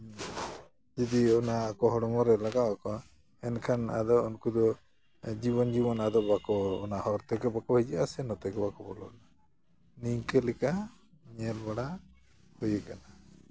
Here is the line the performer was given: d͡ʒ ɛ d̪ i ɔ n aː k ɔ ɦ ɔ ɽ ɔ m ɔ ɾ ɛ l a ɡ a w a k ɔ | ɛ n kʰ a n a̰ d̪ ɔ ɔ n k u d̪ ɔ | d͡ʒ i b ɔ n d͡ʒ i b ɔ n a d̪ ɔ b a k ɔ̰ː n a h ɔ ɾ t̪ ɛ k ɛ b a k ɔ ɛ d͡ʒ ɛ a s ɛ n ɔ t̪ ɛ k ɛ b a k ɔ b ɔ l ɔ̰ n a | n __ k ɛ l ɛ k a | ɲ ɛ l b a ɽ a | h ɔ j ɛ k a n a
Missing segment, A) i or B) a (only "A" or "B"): A